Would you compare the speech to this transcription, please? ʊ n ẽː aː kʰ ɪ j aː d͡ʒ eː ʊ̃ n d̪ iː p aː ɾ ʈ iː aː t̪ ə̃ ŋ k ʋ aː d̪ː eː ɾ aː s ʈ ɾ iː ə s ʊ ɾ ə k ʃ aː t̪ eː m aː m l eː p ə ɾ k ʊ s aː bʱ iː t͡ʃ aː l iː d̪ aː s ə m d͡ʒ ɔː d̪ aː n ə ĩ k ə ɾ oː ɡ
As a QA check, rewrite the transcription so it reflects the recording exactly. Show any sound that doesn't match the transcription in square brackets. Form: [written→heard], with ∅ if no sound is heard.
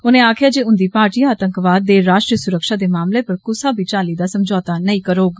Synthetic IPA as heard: ʊ n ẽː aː kʰ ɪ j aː d͡ʒ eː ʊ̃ n d̪ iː p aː ɾ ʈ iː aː t̪ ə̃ ŋ k ʋ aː d̪ː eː ɾ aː [s→ʃ] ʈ ɾ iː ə s ʊ ɾ ə k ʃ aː [t̪→d̪] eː m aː m l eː p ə ɾ k ʊ s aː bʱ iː t͡ʃ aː l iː d̪ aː s ə m d͡ʒ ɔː [d̪→t̪] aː n ə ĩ k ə ɾ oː ɡ